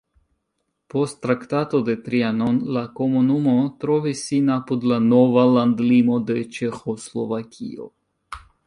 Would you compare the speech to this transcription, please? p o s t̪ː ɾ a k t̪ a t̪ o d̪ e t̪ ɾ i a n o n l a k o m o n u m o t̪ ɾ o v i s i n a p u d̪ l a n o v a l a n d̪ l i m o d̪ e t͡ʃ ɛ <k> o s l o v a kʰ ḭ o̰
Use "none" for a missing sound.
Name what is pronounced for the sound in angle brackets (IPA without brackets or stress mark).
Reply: x